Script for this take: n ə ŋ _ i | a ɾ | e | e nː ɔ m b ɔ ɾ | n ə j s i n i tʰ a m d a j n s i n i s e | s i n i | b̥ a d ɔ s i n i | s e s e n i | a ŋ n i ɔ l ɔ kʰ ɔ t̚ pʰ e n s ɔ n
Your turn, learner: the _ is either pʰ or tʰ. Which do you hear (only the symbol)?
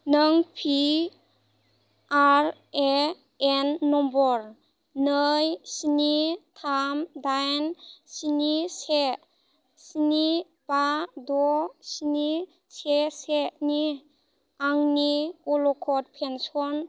pʰ